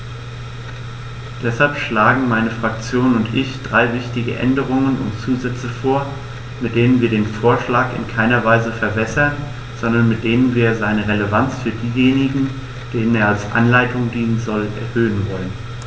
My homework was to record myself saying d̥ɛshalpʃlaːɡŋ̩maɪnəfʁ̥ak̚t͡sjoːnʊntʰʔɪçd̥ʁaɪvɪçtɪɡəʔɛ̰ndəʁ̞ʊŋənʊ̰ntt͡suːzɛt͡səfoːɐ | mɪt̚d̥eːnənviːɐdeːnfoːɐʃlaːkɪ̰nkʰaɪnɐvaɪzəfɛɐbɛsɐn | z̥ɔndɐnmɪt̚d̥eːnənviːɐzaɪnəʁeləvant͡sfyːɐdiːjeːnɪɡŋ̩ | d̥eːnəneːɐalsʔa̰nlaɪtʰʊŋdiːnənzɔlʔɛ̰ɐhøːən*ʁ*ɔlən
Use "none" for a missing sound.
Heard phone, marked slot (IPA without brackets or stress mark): v